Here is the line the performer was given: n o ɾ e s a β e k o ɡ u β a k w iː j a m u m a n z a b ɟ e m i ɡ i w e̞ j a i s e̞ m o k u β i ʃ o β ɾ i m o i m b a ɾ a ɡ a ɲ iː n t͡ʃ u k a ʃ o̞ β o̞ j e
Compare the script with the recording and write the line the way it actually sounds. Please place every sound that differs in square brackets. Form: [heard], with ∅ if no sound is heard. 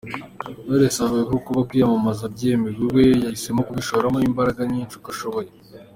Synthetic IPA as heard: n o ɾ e s a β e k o [k] u β a k w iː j a m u m a [∅] z a b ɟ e m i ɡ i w e̞ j a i s e̞ m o k u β i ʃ o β ɾ [a] m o i m b a ɾ a ɡ a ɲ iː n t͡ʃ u k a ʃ o̞ β o̞ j e